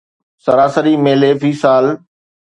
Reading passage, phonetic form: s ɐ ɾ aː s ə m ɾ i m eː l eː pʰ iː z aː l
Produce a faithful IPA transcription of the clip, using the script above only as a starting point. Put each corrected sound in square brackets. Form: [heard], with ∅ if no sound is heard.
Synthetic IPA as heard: s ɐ ɾ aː s ə [∅] ɾ i m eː l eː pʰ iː [s] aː l